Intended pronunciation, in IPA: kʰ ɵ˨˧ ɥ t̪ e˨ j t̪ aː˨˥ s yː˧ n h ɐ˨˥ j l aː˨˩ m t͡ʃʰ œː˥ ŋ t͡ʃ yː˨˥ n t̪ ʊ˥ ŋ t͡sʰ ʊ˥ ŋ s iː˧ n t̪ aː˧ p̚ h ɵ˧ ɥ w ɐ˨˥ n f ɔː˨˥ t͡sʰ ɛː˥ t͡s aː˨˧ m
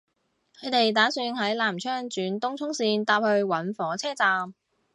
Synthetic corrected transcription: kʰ ɵ˨˧ ɥ t̪ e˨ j t̪ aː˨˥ s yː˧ n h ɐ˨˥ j l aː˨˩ m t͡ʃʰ œː˥ ŋ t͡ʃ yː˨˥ n t̪ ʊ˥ ŋ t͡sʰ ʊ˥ ŋ s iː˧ n t̪ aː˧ p̚ h ɵ˧ ɥ w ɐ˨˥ n f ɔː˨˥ t͡sʰ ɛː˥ t͡s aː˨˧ m